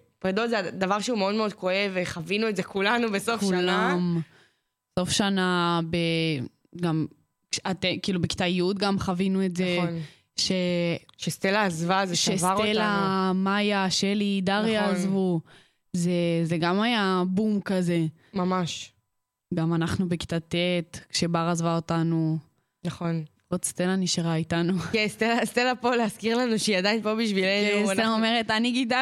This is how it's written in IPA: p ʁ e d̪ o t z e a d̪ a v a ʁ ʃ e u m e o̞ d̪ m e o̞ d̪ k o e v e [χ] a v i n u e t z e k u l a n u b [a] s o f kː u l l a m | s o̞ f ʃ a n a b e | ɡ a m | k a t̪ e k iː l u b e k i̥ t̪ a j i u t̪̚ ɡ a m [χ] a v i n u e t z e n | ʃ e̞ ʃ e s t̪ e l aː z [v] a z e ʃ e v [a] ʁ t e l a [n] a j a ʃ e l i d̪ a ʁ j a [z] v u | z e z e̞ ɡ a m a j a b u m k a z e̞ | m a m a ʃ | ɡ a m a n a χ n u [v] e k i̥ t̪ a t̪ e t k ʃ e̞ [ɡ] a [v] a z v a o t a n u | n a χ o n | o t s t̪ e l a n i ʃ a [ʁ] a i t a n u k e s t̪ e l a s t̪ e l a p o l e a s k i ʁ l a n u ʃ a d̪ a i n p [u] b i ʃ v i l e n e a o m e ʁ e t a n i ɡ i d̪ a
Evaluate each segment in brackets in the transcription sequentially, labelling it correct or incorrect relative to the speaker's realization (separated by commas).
correct, incorrect, correct, correct, correct, incorrect, correct, incorrect, incorrect, incorrect, correct, incorrect